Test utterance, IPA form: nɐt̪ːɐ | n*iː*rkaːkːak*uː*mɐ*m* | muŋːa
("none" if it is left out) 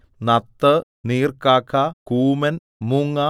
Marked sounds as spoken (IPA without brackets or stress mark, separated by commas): iː, uː, n